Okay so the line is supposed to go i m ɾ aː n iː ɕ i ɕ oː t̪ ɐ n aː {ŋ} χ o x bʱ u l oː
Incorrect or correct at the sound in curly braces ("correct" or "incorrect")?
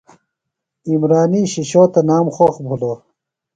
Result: incorrect